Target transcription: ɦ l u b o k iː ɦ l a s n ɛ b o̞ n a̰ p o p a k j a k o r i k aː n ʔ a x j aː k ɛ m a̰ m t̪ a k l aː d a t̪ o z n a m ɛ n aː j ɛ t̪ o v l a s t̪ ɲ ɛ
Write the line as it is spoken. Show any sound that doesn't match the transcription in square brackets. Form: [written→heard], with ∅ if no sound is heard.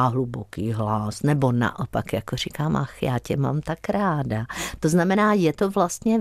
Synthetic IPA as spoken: ɦ l u b o k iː ɦ l a s n ɛ b o̞ n a̰ [p→ʔ] o p a k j a k o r i k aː [n→m] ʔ a x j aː [k→c] ɛ m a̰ m t̪ a k [l→ɾ] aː d a t̪ o z n a m ɛ n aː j ɛ t̪ o v l a s t̪ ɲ ɛ